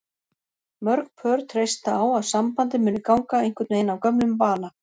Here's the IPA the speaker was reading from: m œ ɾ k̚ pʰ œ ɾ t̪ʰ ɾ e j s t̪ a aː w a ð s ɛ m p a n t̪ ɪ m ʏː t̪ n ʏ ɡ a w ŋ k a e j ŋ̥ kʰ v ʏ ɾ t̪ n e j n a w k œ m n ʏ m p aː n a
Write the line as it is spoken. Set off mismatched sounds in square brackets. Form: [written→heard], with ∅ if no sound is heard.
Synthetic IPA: m œ ɾ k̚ pʰ œ ɾ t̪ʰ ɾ e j s t̪ a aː w a ð s [ɛ→a] m p a n t̪ ɪ m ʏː [t̪→∅] n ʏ [ɡ→k] a w ŋ k a e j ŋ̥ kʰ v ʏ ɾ t̪ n e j n a w k œ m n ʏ m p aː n a